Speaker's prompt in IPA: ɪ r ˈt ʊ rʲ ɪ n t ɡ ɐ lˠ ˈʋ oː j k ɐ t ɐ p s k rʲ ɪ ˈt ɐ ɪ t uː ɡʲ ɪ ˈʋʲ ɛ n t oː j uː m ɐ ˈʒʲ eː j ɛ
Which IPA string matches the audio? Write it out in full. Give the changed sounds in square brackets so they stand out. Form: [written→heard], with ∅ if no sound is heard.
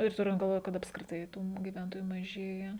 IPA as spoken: ɪ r ˈt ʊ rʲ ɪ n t ɡ ɐ lˠ ˈʋ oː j k ɐ t ɐ p s k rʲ ɪ ˈt ɐ ɪ t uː ɡʲ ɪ ˈʋʲ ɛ n t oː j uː m ɐ ˈʒʲ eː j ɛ